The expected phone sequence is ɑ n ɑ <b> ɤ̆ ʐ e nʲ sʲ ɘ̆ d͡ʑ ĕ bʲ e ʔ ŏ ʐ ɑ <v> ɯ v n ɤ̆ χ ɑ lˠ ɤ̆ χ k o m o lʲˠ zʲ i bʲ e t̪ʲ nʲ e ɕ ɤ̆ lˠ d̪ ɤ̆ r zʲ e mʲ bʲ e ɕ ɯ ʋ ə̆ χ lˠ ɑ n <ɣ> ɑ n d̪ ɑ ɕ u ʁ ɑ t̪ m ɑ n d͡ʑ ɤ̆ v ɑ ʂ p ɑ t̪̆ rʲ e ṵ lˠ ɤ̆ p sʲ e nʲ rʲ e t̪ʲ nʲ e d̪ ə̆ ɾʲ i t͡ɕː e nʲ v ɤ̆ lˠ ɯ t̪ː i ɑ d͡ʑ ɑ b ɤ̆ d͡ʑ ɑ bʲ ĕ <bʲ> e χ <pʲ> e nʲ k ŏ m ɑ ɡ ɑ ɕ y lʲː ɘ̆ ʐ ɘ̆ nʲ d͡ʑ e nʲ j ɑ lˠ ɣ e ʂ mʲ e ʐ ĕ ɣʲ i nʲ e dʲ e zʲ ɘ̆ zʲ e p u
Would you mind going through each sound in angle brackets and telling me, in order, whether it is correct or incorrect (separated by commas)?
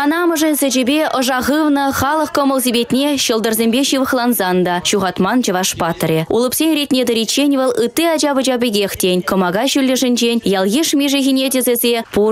incorrect, incorrect, incorrect, incorrect, incorrect